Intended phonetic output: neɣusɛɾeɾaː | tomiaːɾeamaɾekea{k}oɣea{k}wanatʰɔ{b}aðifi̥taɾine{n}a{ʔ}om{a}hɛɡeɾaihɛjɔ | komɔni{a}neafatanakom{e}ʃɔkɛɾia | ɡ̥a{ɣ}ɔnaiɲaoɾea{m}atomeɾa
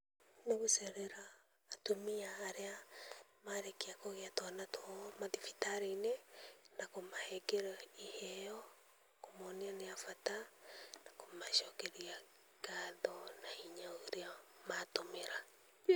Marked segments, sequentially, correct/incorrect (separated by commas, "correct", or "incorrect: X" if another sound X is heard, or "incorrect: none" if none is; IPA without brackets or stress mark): correct, incorrect: t, incorrect: m, correct, incorrect: k, correct, correct, incorrect: a, incorrect: ð, correct